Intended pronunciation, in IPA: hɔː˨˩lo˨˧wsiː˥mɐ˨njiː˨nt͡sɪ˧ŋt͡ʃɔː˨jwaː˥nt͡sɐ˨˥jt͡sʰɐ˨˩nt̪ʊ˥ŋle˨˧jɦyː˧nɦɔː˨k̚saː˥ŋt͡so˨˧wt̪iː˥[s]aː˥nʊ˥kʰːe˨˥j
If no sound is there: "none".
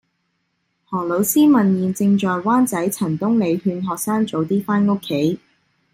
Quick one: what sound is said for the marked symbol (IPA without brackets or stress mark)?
f